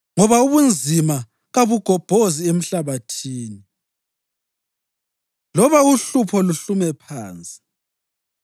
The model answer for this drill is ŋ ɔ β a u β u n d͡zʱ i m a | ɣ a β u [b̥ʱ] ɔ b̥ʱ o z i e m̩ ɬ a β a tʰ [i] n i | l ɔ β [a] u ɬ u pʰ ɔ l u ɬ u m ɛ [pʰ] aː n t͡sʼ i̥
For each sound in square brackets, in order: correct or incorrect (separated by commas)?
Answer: incorrect, incorrect, correct, correct